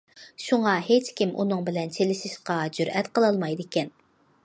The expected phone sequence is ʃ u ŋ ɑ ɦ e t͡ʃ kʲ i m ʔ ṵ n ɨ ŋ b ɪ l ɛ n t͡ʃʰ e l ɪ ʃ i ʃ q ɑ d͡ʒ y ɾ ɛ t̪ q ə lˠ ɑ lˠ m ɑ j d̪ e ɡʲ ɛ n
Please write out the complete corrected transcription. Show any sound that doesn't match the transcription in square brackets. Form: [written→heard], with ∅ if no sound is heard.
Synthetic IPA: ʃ u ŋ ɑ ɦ e t͡ʃ kʲ i m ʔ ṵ n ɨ ŋ b ɪ l ɛ n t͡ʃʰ e l ɪ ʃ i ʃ q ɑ d͡ʒ y ɾ ɛ t̪ q ə lˠ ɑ lˠ m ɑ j d̪ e [ɡʲ→kʲ] ɛ n